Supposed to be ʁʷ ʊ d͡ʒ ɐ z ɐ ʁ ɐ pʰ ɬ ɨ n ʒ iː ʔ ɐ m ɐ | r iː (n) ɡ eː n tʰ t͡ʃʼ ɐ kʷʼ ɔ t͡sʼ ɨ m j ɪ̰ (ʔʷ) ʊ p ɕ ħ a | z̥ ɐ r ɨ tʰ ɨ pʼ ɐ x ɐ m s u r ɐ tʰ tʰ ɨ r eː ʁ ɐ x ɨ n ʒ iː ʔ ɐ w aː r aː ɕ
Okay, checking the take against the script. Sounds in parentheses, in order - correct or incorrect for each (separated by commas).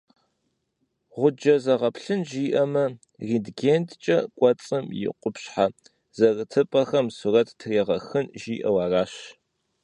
incorrect, incorrect